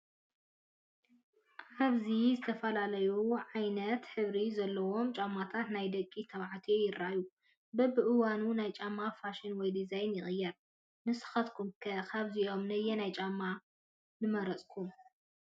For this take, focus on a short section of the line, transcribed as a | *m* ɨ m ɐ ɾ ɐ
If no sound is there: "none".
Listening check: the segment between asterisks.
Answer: n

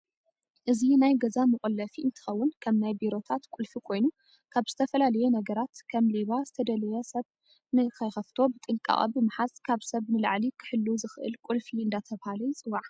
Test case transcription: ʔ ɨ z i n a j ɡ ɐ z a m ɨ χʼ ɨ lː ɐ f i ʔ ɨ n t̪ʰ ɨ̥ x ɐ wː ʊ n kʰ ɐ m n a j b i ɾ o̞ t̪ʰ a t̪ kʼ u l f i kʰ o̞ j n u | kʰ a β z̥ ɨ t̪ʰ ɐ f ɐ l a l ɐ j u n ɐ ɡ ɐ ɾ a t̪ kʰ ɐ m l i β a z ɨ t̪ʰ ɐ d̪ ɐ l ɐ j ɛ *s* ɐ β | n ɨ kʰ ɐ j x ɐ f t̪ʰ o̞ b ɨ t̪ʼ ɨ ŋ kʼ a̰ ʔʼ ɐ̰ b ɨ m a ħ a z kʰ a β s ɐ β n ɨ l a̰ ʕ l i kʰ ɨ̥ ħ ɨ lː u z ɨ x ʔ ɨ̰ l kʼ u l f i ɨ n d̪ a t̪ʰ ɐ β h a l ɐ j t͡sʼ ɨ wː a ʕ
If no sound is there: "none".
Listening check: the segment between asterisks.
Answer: s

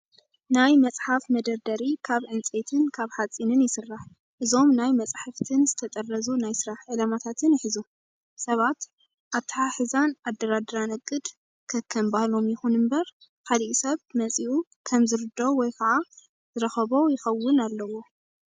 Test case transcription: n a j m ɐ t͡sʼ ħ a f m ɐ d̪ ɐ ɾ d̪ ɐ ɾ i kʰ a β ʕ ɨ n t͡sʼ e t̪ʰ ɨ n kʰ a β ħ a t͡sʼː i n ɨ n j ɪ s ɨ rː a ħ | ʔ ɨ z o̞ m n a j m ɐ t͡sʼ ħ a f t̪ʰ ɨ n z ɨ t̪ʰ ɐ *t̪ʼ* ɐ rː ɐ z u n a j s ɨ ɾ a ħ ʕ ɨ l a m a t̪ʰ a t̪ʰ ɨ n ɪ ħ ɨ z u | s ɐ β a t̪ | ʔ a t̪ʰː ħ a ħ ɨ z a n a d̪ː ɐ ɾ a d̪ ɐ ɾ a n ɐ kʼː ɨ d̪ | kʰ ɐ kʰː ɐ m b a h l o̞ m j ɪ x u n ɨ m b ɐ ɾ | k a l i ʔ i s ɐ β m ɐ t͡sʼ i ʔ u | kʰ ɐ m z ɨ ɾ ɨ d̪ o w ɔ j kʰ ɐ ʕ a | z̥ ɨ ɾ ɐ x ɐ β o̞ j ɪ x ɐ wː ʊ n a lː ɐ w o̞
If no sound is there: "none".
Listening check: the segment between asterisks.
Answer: t̪ʼ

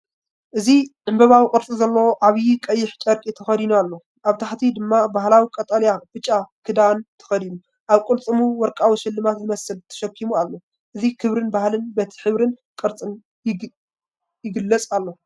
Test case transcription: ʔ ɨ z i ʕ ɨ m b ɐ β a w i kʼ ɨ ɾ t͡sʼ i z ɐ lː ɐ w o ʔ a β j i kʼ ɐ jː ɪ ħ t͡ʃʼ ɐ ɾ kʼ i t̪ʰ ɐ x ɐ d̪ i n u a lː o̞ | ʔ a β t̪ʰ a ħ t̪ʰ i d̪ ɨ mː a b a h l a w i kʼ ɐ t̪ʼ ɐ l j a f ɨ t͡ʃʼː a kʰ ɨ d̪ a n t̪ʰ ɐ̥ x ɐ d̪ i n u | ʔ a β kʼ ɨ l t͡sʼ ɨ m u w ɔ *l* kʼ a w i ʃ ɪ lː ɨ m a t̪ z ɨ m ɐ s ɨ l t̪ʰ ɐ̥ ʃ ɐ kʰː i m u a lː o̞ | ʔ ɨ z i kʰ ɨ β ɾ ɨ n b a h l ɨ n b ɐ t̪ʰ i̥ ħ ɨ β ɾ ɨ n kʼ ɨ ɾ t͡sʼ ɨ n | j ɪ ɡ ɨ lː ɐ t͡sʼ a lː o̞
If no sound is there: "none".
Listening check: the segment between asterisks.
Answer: ɾ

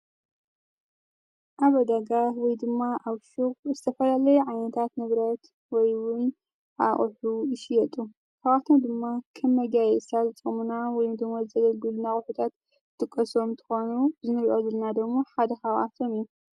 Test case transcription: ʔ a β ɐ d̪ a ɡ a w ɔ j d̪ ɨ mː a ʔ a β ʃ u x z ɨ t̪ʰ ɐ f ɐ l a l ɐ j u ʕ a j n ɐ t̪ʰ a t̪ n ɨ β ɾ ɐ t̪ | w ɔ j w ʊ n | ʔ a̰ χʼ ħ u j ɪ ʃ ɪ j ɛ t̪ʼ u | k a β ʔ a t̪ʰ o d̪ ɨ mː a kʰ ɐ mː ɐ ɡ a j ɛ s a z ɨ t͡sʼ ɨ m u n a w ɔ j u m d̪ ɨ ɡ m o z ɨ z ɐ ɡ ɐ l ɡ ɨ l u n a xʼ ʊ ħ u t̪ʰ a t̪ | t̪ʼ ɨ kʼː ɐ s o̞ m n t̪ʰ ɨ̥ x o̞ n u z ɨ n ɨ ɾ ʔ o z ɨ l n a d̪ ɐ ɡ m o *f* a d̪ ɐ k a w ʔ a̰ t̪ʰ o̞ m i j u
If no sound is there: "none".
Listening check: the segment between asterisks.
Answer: ħ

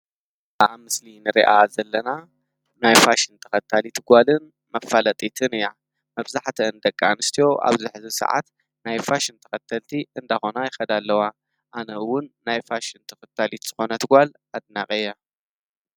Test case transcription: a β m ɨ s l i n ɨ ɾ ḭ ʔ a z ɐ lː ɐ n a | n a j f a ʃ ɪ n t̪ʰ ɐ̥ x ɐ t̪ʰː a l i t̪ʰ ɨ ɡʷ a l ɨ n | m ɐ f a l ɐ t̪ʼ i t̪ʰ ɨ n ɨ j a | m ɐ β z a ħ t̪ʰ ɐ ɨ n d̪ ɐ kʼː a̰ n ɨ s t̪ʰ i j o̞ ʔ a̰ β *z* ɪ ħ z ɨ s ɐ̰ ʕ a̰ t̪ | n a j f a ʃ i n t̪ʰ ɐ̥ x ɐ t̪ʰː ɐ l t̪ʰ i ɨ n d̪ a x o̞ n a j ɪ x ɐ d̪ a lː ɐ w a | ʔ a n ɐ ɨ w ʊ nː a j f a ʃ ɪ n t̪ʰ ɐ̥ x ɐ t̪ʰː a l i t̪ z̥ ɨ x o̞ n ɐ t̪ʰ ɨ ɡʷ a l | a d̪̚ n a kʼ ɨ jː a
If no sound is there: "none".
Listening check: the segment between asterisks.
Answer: z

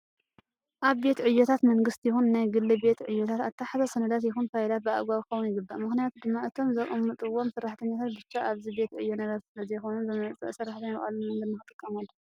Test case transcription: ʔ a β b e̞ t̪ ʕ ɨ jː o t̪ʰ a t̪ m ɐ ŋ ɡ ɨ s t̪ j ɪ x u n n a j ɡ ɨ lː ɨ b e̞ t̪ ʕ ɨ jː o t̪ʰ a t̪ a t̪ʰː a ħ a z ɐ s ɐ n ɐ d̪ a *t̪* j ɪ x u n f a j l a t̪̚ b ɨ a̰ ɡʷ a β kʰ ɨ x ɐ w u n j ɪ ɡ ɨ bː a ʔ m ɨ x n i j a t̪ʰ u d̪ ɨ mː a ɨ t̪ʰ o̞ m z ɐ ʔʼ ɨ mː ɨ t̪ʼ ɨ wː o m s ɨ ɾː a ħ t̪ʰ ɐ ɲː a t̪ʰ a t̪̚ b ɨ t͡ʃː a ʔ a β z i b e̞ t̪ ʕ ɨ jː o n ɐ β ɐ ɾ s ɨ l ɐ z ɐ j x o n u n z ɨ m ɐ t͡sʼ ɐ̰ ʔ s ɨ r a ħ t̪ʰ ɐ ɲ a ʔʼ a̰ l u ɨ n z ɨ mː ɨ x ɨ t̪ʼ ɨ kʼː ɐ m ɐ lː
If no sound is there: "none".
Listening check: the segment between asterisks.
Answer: t̪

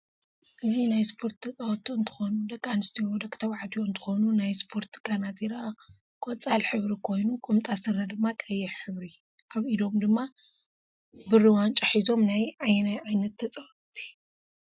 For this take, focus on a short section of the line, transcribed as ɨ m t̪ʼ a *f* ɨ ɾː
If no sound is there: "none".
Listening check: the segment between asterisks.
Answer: s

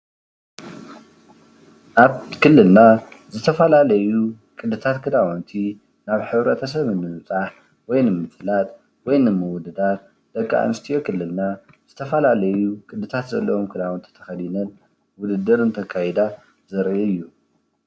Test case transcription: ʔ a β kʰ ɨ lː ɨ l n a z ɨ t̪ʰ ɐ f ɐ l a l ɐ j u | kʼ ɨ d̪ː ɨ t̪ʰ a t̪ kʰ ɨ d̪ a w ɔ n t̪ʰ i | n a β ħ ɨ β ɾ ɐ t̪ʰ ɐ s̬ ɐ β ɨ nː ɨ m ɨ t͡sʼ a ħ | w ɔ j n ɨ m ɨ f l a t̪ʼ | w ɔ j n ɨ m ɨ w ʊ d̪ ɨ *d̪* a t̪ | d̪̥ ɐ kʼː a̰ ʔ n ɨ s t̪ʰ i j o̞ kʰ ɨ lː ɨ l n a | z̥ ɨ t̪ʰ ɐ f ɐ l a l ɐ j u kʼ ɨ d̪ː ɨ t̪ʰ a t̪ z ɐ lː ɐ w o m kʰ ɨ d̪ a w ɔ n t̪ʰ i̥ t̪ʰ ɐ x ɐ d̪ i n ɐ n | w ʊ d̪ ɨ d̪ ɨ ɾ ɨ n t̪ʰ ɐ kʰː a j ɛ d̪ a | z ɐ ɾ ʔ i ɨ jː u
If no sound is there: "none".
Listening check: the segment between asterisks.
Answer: d̪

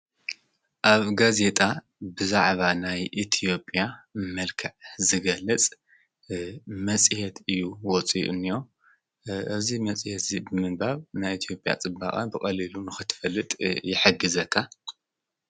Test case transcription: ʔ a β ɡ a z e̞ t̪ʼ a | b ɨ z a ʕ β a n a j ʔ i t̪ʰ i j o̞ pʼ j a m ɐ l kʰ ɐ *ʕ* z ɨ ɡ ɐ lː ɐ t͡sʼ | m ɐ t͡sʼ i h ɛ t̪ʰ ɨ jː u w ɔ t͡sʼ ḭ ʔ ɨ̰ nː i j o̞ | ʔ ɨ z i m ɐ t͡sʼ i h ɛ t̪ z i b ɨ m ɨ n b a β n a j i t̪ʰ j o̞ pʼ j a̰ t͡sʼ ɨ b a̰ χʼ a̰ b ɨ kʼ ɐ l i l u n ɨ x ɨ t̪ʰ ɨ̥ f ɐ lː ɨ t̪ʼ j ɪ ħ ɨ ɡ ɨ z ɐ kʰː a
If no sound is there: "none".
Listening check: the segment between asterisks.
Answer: ʕ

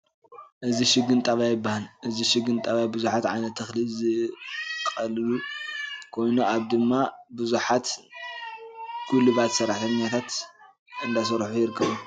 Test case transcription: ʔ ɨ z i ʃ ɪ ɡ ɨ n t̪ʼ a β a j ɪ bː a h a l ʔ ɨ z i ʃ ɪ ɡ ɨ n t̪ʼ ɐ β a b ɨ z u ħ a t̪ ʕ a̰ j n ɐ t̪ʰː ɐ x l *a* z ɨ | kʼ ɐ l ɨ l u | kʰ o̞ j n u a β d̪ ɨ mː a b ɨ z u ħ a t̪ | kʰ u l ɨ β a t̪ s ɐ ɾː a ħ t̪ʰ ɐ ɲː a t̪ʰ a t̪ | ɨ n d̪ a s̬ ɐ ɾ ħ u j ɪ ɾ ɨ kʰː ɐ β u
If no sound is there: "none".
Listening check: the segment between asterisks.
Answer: i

